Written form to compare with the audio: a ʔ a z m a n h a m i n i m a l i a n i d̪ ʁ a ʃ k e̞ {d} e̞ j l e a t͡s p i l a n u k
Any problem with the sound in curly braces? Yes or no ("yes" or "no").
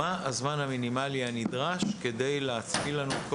no